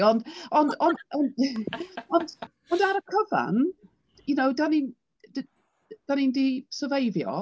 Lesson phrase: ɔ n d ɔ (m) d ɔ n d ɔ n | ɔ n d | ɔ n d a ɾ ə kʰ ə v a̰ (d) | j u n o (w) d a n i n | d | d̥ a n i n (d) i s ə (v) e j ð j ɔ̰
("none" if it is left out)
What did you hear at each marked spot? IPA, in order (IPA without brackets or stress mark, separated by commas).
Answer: n, n, w, d, v